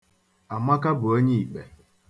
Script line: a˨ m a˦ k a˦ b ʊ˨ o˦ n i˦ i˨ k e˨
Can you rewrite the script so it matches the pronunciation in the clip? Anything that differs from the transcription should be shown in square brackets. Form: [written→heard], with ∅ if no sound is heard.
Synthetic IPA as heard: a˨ m a˦ k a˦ b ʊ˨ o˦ [n→ɲ] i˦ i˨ [k→k͡p] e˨